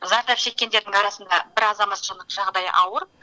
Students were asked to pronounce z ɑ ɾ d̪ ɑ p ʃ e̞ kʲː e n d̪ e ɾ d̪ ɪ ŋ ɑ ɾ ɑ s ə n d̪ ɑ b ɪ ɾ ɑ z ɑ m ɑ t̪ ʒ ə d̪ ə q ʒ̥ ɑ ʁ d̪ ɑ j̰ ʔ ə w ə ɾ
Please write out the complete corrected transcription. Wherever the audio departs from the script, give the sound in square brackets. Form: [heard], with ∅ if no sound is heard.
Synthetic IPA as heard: z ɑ ɾ d̪ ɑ p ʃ e̞ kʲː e n d̪ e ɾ d̪ ɪ ŋ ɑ ɾ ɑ s ə n d̪ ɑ b ɪ ɾ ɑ z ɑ m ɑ t̪ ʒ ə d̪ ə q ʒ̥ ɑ ʁ d̪ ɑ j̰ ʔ [ɑ] w ə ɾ